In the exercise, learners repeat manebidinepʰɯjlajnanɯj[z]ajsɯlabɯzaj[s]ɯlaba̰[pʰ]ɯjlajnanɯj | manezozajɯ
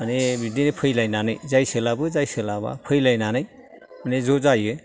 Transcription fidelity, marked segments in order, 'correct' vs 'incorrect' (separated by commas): correct, correct, correct